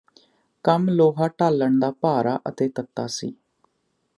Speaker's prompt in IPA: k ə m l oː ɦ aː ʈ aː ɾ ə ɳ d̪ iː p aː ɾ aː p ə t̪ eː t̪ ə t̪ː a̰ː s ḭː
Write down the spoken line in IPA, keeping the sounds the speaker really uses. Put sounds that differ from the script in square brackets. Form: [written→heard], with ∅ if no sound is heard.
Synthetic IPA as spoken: k ə m l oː ɦ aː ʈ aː [ɾ→l] ə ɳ d̪ [iː→aː] p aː ɾ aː [p→ʔ] ə t̪ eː t̪ ə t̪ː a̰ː s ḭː